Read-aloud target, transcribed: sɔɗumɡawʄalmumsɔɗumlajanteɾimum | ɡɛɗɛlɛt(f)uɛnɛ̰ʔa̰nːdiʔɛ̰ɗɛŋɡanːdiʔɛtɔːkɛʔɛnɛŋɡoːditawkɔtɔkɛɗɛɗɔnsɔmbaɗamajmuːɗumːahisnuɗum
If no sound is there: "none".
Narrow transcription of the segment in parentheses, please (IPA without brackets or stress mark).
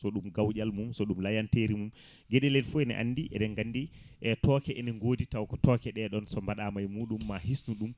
f